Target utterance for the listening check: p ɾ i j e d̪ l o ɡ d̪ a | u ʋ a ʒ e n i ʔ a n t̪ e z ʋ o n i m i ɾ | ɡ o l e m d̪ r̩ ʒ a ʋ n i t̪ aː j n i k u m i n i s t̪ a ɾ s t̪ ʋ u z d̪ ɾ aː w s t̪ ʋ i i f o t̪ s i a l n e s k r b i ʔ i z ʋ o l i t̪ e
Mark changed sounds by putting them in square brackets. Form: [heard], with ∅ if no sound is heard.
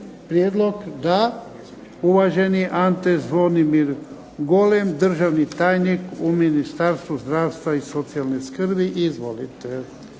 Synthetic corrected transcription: p ɾ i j e d̪ l o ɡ d̪ a | u ʋ a ʒ e n i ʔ a n t̪ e z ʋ o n i m i ɾ | ɡ o l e m d̪ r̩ ʒ a ʋ n i t̪ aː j n i k u m i n i s t̪ a ɾ s t̪ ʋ u z d̪ ɾ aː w s t̪ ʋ [a] i [s] o t̪ s i a l n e s k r b i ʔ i z ʋ o l i t̪ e